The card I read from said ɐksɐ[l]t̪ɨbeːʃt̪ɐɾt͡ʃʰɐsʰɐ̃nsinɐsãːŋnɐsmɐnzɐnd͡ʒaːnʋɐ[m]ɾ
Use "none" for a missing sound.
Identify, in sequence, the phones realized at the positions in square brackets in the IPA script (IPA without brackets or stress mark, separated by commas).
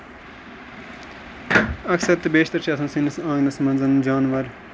ɾ, none